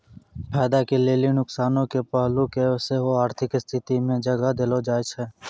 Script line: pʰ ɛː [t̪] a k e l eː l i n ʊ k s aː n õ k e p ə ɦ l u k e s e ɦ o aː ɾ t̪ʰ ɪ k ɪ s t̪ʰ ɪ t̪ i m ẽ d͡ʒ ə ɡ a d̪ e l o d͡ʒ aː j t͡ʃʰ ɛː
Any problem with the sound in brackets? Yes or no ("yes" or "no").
yes